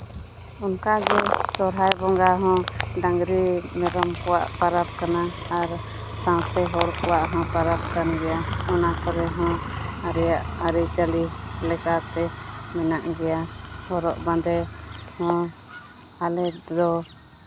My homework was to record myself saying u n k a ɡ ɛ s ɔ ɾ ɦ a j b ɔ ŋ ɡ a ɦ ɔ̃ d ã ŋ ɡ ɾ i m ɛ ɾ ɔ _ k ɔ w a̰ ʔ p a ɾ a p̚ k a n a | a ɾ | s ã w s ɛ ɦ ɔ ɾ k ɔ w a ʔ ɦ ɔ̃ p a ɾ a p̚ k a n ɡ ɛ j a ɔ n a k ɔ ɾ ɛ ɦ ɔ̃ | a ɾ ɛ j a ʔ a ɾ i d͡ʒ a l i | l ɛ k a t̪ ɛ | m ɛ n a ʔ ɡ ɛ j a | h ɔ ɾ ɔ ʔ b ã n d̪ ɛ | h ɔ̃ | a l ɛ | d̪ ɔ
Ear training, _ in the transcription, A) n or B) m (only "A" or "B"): B